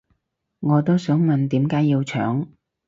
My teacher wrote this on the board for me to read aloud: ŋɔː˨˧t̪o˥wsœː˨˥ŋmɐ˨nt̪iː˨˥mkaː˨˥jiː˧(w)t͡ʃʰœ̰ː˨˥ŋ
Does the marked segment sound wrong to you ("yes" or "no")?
no